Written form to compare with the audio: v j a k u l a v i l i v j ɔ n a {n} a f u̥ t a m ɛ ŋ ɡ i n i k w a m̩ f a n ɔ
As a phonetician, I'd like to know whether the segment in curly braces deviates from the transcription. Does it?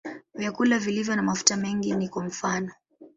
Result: yes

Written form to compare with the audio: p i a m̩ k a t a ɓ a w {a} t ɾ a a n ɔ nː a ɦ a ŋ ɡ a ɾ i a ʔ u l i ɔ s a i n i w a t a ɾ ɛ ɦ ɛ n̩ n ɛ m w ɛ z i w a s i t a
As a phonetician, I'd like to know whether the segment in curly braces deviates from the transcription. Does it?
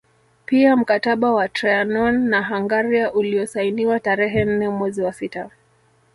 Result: no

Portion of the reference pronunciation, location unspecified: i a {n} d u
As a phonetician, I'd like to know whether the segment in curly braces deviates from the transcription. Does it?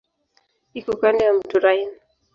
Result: yes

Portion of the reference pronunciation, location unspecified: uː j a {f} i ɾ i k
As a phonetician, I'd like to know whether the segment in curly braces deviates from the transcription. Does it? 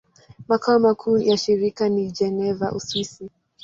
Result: yes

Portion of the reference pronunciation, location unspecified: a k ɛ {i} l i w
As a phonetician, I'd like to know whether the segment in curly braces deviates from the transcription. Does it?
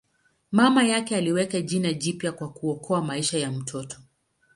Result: yes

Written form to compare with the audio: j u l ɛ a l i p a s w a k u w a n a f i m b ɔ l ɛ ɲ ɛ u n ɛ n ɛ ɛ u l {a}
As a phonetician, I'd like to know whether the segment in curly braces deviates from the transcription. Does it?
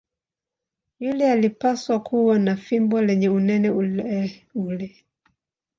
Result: yes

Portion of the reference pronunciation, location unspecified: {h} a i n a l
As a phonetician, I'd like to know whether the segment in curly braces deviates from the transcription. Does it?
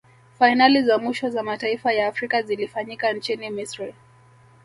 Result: yes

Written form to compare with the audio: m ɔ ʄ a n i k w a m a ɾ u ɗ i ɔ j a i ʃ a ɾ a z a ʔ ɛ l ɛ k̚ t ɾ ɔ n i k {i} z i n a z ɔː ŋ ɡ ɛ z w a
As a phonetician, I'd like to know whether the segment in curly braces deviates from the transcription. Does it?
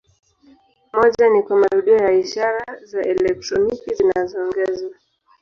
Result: no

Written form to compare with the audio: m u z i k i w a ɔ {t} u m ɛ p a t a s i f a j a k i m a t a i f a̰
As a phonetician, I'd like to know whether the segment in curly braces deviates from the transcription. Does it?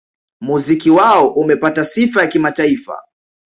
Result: yes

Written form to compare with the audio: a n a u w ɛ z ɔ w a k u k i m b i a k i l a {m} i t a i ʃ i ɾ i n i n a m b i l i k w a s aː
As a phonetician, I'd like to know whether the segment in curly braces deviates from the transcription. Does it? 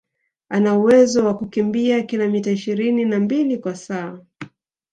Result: no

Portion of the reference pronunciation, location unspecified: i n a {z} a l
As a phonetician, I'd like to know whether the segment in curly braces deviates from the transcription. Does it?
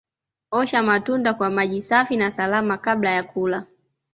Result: yes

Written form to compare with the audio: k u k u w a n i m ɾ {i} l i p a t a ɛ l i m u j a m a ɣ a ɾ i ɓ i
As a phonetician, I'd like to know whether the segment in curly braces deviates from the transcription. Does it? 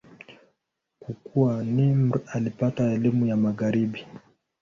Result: yes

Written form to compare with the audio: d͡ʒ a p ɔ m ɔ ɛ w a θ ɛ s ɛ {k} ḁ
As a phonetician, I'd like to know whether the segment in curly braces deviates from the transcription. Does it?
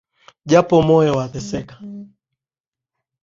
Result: no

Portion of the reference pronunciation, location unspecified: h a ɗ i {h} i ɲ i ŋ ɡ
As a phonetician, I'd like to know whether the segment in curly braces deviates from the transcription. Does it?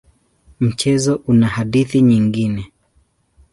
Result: yes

